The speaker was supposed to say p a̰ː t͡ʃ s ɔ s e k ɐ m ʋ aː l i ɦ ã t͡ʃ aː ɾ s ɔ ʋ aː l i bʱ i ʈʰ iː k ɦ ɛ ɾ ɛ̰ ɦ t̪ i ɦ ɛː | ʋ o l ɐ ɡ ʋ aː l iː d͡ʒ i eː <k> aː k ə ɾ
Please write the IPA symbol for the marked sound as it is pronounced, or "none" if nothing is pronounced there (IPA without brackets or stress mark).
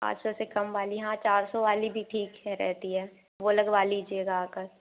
ɡ